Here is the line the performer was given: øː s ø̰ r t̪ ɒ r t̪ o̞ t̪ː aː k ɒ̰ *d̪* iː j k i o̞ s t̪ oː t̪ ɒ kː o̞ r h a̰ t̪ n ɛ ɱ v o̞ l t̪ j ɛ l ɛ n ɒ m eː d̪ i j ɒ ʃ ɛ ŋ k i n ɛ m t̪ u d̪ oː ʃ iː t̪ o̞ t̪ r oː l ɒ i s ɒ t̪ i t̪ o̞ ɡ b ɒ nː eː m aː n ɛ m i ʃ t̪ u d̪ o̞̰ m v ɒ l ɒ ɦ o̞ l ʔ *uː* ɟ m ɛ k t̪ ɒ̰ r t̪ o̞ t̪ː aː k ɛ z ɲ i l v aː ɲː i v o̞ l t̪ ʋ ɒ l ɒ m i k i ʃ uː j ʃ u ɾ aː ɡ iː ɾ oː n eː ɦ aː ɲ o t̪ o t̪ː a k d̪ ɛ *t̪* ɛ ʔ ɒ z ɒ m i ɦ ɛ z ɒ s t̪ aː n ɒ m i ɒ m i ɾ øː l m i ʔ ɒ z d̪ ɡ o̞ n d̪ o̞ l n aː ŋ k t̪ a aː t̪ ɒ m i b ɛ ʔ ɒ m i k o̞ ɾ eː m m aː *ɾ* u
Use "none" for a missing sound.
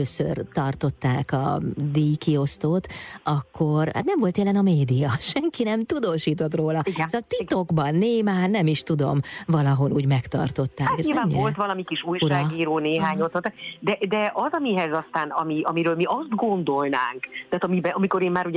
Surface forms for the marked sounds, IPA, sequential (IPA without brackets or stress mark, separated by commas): d̪, uː, d̪, ɾ